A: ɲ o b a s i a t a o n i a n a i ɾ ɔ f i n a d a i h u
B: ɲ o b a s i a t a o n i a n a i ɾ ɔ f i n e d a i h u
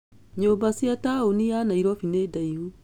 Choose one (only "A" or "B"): B